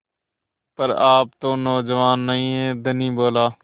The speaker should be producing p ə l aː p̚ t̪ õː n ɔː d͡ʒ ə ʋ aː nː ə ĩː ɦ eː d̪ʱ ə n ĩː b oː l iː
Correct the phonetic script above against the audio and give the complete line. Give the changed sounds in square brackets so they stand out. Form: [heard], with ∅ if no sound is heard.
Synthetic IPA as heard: p ə [ɾ] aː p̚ t̪ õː n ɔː d͡ʒ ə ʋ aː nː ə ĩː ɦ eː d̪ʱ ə n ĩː b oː l [aː]